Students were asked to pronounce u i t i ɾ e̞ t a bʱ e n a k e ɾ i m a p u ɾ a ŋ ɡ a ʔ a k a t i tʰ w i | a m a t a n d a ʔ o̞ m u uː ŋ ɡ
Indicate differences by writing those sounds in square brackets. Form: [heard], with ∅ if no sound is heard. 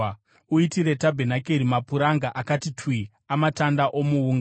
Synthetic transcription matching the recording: u i t i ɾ e̞ t a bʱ e n a k e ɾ i m a p u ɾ a ŋ ɡ a ʔ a k a t i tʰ w i | a m a t a n d a ʔ o̞ m u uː ŋ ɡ